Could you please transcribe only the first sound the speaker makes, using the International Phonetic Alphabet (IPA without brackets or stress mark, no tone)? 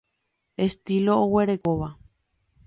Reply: e̞